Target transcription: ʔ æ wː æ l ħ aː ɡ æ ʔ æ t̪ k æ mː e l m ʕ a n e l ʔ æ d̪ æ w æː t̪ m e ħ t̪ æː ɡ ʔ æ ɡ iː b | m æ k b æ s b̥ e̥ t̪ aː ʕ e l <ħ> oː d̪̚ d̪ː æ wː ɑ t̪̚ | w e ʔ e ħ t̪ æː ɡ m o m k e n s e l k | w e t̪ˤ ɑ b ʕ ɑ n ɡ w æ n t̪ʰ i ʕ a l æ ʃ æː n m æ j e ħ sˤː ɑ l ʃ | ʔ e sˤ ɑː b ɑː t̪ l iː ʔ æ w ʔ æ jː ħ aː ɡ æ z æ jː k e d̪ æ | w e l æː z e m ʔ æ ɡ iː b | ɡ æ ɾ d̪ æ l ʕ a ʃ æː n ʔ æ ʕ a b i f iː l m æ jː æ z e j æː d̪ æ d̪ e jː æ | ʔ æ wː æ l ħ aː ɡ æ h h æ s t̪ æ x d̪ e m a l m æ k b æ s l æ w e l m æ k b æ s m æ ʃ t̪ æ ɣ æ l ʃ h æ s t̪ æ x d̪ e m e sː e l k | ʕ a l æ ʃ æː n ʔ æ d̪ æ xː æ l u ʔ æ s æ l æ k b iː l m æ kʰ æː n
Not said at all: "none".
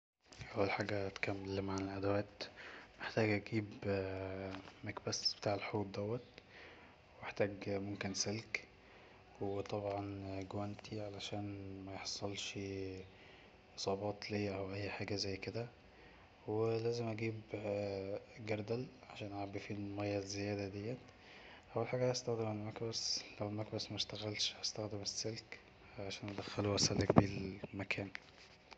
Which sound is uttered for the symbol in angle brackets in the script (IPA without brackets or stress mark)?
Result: ħ